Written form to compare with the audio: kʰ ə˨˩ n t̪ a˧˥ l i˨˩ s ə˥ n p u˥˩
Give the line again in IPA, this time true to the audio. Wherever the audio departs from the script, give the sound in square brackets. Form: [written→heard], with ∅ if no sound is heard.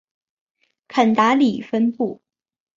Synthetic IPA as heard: kʰ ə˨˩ n t̪ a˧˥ l i˨˩ [s→f] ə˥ n p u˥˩